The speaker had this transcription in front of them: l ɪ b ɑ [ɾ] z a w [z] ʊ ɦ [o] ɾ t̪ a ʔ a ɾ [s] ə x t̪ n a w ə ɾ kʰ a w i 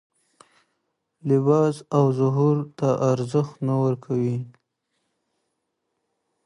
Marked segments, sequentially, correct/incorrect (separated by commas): incorrect, correct, incorrect, incorrect